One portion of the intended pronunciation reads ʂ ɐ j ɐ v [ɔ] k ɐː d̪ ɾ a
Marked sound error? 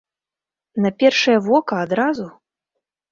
no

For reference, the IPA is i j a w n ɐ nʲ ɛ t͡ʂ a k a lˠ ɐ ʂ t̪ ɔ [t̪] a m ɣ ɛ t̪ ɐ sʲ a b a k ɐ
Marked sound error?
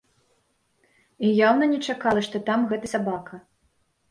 no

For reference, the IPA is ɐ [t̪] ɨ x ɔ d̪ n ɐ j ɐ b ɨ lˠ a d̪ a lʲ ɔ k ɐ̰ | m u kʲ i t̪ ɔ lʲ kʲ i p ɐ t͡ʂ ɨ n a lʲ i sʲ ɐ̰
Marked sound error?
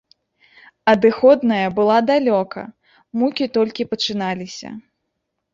yes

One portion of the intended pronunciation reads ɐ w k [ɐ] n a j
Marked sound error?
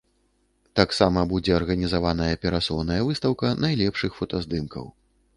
no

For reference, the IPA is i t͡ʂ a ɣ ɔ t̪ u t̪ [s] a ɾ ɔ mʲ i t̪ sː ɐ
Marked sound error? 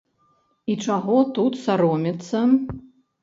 no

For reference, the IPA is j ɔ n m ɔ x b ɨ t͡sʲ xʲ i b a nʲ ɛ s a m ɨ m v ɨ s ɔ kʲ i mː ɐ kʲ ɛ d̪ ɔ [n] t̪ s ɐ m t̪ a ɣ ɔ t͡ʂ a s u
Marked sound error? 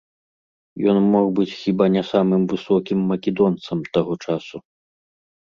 no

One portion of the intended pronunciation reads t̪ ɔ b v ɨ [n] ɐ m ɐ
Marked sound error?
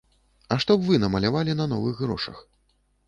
no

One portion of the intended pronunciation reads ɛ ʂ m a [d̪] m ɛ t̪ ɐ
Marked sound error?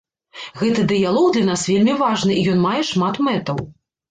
yes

